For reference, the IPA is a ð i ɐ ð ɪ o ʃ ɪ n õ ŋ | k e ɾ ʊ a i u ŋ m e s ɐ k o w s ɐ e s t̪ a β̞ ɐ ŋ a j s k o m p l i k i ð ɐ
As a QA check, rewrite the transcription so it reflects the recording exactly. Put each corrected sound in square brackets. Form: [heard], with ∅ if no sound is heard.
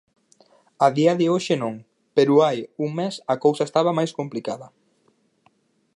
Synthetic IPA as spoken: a ð i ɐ ð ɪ o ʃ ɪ n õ ŋ | [p] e ɾ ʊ a [j] u ŋ m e s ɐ k o w s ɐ e s t̪ a β̞ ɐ [m] a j s k o m p l i k [a] ð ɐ

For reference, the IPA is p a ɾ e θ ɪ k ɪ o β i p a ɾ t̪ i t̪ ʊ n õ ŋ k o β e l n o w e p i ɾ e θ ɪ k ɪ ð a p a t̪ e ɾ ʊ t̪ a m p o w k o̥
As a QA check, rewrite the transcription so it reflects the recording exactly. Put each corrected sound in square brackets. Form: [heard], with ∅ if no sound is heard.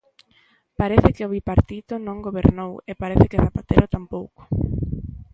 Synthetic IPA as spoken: p a ɾ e θ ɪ k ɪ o β i p a ɾ t̪ i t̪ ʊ n õ ŋ [ɡ] o β e [ɾ] n o w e p [a] ɾ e θ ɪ k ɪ [θ] a p a t̪ e ɾ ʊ t̪ a m p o w k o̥

